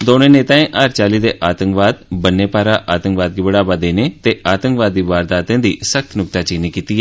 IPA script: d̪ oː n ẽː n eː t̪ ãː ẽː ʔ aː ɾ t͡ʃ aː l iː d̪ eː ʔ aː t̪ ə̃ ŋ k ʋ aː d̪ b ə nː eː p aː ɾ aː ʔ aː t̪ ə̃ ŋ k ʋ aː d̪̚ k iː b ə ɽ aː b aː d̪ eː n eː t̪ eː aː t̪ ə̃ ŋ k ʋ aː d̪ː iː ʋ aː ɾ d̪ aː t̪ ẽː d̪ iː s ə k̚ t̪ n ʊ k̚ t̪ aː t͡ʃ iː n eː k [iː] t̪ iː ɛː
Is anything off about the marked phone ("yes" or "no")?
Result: no